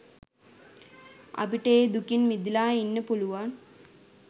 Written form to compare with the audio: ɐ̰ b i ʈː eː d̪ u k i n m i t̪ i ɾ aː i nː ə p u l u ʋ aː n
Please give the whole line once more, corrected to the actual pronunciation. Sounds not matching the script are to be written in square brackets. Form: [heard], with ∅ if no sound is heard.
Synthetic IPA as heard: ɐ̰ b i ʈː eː d̪ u k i n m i [d̪] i [l] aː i nː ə p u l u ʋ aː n